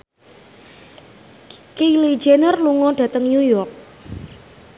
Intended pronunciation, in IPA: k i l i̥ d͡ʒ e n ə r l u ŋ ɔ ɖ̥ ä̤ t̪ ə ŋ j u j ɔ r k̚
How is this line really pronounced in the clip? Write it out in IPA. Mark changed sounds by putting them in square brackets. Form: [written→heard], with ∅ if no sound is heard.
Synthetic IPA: k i l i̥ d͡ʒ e n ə r l u ŋ ɔ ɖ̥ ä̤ t̪ ə ŋ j u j ɔ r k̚